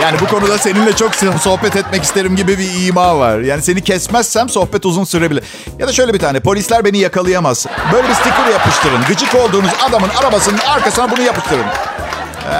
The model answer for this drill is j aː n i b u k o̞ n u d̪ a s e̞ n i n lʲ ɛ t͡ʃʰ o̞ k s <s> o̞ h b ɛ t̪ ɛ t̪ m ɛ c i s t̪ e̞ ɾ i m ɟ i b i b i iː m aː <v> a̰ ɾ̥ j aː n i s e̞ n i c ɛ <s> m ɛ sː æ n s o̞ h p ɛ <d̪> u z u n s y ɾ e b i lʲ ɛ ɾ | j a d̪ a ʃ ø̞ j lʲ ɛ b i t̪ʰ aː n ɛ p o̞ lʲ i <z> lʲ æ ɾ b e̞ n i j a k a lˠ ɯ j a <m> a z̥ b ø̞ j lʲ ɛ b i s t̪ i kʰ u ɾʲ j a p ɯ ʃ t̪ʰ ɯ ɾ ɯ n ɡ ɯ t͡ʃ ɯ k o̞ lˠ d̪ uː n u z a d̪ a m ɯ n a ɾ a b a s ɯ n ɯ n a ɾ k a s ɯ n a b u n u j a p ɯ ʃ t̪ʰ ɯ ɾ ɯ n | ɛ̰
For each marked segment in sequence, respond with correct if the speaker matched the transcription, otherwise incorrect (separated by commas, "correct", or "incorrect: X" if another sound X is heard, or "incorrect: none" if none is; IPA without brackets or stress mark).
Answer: correct, correct, correct, incorrect: t̪, incorrect: s, correct